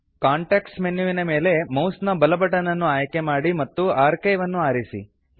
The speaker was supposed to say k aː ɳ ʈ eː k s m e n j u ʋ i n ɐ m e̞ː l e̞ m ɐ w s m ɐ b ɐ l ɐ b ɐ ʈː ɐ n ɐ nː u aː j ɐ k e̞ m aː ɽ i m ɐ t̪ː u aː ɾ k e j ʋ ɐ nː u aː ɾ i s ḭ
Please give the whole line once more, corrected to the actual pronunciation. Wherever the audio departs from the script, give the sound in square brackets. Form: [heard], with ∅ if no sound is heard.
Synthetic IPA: k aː ɳ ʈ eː k s m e n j u ʋ i n ɐ m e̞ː l e̞ m ɐ w s [n] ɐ b ɐ l ɐ b ɐ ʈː ɐ n ɐ nː u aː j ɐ k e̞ m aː ɽ i m ɐ t̪ː u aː ɾ k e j ʋ ɐ nː u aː ɾ i s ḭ